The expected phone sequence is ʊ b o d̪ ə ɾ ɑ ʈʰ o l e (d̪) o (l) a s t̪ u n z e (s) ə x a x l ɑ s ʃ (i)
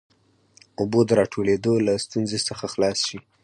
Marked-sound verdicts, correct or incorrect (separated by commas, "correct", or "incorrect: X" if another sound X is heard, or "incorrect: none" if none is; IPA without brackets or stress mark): correct, correct, correct, correct